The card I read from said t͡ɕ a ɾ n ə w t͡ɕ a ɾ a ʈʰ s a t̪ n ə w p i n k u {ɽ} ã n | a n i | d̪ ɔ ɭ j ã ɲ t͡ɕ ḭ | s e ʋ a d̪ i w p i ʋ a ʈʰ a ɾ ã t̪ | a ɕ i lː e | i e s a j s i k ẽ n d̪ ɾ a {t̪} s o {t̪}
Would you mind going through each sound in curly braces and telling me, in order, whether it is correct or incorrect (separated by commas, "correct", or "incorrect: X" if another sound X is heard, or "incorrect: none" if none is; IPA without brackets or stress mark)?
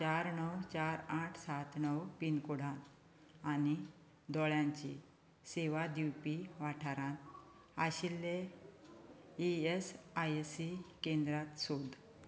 correct, correct, incorrect: d̪